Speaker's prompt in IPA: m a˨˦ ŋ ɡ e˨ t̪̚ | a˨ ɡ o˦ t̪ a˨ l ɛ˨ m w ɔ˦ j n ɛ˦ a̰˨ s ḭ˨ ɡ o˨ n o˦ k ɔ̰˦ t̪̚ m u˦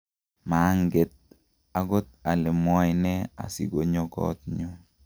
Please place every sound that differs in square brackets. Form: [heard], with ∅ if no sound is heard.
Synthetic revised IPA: m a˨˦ ŋ ɡ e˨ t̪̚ | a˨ ɡ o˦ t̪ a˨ l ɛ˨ m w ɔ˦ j n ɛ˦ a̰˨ s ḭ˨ ɡ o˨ [ɲ] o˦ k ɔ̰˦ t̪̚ [ɲ] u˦